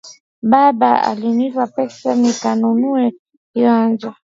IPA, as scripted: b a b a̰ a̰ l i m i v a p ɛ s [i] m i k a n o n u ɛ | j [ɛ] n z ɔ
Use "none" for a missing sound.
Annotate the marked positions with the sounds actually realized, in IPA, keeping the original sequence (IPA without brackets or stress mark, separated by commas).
a, a